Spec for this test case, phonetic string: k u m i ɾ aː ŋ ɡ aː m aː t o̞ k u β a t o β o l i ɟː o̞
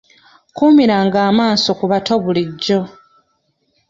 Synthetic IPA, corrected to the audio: k u m i ɾ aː ŋ ɡ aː m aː s o̞ k u β a t o β u l i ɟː o̞